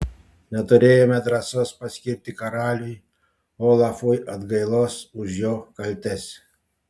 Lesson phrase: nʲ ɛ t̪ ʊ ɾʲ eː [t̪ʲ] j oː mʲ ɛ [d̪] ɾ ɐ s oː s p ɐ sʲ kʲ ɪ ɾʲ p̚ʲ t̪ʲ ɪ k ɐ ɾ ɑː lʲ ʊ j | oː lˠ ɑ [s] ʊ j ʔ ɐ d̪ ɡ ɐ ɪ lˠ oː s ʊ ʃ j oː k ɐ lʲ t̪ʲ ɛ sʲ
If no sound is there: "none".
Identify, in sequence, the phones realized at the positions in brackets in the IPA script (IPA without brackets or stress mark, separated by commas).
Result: none, d̪, f